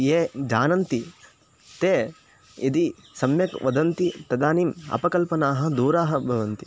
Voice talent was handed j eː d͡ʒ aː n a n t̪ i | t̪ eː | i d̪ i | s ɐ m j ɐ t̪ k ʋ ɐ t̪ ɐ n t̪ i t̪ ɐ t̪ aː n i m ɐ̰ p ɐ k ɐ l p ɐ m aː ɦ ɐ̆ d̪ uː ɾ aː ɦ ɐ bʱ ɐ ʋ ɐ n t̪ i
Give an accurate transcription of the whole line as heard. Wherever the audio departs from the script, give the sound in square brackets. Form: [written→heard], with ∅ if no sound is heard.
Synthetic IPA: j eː d͡ʒ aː n [a→ɐ] n t̪ i | t̪ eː | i d̪ i | s ɐ m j ɐ [t̪→∅] k ʋ ɐ [t̪→d̪] ɐ n t̪ i t̪ ɐ [t̪→d̪] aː n i m ɐ̰ p ɐ k ɐ l p ɐ [m→n] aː ɦ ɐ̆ d̪ uː ɾ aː ɦ ɐ bʱ ɐ ʋ ɐ n t̪ i